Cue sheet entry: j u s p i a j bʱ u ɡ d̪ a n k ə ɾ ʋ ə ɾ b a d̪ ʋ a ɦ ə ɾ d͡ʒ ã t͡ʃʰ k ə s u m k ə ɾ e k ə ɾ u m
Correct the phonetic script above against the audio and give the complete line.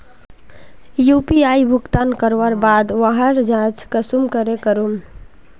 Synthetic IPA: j u p i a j bʱ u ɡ t̪ a n k ə ɾ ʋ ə ɾ b a d̪ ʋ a ɦ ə ɾ d͡ʒ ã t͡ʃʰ k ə s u m k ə ɾ e k ə ɾ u m